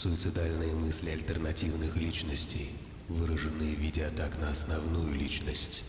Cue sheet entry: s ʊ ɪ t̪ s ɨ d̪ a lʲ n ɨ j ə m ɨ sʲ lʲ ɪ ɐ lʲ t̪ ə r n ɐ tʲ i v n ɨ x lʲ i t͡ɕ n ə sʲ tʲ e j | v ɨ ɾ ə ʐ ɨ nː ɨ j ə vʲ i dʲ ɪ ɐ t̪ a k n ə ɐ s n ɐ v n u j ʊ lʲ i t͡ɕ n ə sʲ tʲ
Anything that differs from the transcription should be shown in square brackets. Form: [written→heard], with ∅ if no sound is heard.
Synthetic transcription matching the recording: s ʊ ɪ t̪ s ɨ d̪ a lʲ n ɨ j ə m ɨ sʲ lʲ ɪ ɐ lʲ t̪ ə r n ɐ tʲ i v n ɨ x lʲ i t͡ɕ n ə sʲ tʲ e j | v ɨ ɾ ə ʐ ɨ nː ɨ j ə vʲ i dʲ ɪ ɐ t̪ a k n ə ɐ s n ɐ v n u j ʊ lʲ i t͡ɕ n ə sʲ tʲ